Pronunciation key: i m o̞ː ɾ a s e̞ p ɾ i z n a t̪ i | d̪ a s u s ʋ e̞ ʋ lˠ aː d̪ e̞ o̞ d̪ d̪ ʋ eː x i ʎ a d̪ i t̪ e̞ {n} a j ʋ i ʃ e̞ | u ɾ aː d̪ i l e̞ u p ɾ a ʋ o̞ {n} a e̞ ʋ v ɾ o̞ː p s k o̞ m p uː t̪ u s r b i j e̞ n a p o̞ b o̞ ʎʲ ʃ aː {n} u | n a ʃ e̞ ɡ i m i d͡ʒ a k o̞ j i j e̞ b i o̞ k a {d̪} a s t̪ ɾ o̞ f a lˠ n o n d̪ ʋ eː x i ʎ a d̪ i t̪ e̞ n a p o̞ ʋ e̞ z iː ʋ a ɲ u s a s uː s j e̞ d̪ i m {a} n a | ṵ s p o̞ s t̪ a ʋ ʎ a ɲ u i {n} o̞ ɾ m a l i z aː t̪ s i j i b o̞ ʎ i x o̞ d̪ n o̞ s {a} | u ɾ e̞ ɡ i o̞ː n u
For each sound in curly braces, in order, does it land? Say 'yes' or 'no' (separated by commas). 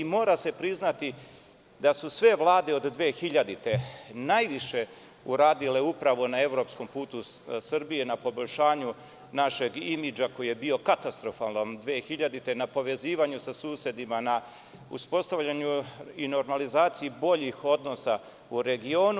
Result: yes, yes, no, no, yes, yes, yes